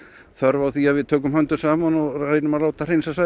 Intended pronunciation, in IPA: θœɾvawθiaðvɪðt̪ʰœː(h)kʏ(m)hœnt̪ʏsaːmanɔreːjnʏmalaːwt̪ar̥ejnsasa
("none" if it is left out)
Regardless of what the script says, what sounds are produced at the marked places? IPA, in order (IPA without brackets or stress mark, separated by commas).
none, m